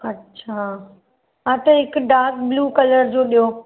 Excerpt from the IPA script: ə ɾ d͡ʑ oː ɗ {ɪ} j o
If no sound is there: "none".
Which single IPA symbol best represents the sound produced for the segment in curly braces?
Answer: i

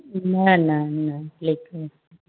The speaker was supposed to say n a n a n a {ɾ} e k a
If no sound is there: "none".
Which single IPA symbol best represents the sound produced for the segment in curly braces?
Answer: l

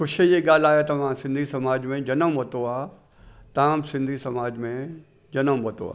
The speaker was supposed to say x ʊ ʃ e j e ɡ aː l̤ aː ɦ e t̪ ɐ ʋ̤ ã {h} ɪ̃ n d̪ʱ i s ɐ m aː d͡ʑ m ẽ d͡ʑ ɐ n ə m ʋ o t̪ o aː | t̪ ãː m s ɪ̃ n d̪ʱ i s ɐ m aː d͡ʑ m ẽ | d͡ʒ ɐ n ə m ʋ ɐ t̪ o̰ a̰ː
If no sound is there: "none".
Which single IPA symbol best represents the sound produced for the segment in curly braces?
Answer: s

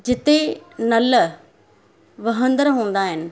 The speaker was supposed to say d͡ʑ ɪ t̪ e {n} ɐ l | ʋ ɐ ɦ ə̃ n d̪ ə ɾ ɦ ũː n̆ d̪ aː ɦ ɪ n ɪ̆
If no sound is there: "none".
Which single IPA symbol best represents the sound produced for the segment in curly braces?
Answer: n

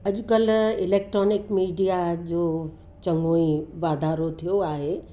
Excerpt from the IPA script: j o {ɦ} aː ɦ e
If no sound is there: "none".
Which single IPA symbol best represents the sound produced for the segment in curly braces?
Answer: none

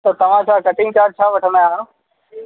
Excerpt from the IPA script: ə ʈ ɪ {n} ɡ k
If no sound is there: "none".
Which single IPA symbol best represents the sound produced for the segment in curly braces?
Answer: ŋ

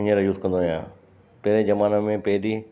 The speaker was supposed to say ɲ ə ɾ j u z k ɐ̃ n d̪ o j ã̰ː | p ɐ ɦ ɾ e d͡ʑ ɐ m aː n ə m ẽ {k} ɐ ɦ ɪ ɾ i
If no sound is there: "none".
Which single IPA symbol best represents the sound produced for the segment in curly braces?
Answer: p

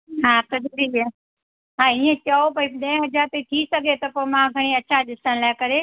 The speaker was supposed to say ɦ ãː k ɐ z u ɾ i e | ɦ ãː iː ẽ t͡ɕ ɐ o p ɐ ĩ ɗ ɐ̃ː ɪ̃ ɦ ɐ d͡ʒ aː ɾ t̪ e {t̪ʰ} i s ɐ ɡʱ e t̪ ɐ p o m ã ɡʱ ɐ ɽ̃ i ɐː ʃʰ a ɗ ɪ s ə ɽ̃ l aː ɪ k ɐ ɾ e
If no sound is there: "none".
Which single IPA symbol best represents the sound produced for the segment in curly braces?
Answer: t̪ʰ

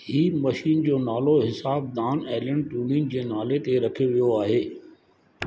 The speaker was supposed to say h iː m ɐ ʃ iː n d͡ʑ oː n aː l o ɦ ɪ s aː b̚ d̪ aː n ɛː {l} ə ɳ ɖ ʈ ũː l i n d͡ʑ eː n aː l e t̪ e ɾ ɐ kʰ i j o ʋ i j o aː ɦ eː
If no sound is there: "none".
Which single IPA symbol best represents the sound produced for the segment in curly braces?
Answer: l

